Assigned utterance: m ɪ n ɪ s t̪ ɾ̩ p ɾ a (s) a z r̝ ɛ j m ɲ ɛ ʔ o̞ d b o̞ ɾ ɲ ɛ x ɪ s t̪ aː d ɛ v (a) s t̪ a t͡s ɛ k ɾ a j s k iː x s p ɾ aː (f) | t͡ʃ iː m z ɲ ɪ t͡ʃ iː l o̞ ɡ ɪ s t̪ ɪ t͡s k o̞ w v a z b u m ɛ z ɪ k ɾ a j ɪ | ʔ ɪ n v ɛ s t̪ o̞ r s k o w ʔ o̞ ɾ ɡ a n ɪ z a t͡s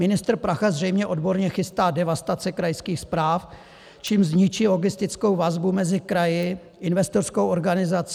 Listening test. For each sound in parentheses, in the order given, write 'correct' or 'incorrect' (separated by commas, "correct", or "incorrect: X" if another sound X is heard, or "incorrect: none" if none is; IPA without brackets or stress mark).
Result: incorrect: x, correct, correct